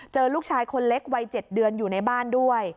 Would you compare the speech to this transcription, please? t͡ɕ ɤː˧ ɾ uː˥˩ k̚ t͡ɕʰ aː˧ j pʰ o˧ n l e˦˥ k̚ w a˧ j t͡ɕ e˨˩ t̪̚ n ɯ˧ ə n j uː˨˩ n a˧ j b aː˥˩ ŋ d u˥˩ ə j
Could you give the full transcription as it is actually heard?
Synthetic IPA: t͡ɕ ɤː˧ l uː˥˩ k̚ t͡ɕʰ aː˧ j kʰ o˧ n l e˦˥ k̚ w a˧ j t͡ɕ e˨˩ t̪̚ d ɯ˧ ə n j uː˨˩ n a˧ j b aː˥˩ n d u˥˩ ə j

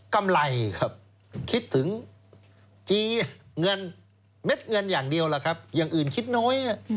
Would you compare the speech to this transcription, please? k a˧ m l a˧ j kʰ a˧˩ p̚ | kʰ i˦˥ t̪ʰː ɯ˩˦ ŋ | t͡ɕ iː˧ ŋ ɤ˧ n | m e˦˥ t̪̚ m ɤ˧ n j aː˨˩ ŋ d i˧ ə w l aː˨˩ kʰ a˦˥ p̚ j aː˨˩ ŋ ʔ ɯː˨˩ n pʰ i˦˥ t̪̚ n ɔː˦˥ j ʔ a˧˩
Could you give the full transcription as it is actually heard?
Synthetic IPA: k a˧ m l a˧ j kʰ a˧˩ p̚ | kʰ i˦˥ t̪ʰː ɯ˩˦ ŋ | t͡ɕ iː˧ ŋ ɤ˧ n | m e˦˥ t̪̚ ŋ ɤ˧ n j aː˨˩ ŋ d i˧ ə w l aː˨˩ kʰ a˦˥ p̚ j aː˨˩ ŋ ʔ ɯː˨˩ n kʰ i˦˥ t̪̚ n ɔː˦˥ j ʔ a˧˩

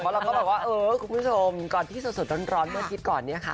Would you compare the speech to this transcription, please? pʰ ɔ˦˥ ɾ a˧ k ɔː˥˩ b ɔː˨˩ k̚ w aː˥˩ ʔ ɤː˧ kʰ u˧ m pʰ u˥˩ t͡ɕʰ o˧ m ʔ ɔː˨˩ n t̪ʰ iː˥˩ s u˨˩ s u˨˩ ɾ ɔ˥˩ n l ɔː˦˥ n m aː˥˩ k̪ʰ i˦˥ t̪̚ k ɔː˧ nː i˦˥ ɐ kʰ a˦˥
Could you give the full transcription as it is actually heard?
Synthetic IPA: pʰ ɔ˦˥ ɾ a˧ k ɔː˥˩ b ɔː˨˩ k̚ w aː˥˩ ʔ ɤː˧ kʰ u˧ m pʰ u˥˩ t͡ɕʰ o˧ m k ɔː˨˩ n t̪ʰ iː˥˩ s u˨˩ s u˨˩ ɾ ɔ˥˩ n ɾ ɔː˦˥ n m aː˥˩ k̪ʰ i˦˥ t̪̚ k ɔː˨˩ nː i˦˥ ɐ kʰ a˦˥

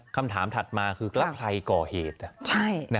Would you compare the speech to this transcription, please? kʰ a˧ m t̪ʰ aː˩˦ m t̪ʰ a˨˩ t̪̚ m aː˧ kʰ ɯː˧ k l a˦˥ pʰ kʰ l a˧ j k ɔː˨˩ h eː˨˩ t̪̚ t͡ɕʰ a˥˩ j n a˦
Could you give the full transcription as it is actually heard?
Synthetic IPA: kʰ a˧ m t̪ʰ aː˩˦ m t̪ʰ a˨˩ t̪̚ m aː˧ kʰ ɯː˧ k l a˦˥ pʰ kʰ l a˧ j k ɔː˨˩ h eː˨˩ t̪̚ t͡ɕʰ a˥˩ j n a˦

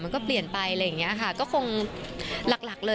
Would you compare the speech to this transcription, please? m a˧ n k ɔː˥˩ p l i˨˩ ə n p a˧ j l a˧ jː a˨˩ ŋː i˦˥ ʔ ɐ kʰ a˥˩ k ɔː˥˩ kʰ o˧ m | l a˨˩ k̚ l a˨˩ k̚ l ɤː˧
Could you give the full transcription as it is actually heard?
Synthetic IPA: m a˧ n k ɔː˥˩ p l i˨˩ ə n p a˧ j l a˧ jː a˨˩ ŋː i˦˥ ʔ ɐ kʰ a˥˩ k ɔː˥˩ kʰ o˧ ŋ | l a˨˩ k̚ l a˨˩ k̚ l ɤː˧

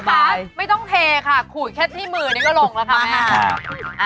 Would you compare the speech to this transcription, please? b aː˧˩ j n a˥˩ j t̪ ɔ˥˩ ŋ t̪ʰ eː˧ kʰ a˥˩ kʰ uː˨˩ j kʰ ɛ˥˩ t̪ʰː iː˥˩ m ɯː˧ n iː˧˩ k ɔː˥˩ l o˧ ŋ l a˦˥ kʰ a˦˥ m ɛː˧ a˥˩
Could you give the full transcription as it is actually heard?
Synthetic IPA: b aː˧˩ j m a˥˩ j t̪ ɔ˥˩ ŋ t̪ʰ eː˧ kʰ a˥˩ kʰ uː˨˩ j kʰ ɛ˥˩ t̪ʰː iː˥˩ m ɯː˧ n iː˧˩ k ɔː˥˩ l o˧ ŋ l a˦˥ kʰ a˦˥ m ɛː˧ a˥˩

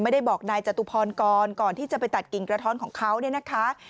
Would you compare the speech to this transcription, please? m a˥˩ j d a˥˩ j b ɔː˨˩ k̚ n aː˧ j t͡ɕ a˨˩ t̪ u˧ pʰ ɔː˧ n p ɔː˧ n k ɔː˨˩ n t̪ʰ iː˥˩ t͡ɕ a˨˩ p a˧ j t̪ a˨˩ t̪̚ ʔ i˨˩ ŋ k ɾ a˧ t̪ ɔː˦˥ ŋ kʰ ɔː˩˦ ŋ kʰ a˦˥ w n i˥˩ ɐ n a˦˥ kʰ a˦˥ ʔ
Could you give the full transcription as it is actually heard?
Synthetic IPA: m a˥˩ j d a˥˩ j b ɔː˨˩ k̚ n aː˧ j t͡ɕ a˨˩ t̪ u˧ pʰ ɔː˧ n k ɔː˧ n k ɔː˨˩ n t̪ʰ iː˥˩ t͡ɕ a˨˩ p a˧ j t̪ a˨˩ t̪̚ k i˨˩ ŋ k ɾ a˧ t̪ʰ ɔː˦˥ n kʰ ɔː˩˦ ŋ kʰ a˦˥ w n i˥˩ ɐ n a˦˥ kʰ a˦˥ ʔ

